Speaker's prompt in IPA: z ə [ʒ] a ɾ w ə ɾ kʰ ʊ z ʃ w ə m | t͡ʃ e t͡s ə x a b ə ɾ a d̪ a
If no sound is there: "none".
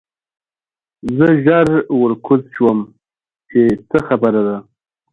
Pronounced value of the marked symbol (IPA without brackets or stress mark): ʒ